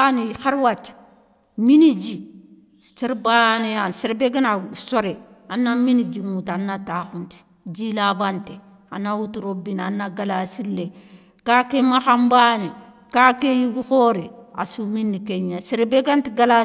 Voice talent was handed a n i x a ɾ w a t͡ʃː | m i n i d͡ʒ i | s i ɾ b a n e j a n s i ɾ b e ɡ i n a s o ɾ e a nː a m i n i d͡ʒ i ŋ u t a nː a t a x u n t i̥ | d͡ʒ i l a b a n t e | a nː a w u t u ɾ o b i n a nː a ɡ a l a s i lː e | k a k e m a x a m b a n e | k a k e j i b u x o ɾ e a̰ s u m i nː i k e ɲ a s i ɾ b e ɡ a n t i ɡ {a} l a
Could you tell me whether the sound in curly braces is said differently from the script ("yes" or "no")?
no